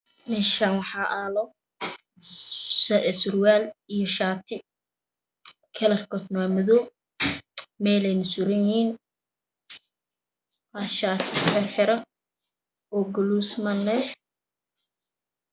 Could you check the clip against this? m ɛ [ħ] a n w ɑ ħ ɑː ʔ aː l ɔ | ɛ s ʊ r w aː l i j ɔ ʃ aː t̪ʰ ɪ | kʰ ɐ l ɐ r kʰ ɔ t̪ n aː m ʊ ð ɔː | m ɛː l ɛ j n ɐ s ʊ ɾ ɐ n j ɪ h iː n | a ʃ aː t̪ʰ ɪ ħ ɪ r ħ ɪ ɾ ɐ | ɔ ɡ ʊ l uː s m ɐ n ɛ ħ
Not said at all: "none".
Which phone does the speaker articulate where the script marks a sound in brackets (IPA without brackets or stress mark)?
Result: ʃ